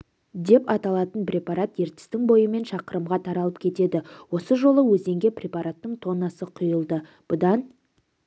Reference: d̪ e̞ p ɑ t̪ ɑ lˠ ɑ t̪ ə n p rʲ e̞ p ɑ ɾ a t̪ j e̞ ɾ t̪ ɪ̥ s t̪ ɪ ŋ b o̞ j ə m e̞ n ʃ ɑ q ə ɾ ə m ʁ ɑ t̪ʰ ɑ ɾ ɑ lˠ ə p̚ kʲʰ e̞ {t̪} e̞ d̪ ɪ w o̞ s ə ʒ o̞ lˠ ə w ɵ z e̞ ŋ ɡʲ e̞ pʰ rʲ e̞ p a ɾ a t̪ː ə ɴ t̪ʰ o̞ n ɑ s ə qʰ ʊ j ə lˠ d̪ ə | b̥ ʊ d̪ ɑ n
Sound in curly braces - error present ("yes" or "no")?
no